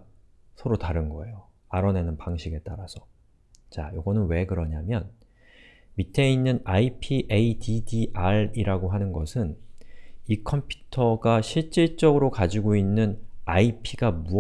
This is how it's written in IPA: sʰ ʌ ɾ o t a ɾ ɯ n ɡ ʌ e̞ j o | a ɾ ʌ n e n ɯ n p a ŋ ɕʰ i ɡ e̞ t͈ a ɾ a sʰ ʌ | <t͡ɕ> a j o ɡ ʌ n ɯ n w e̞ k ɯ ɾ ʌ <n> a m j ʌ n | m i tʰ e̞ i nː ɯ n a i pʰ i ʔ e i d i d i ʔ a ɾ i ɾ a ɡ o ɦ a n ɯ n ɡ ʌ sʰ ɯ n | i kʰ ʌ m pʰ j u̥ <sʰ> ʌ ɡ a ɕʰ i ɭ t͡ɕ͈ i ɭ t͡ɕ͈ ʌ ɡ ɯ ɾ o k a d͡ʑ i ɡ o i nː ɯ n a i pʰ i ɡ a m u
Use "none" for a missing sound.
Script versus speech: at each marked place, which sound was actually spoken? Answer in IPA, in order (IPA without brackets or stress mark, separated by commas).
t͡ɕ, ɲ, tʰ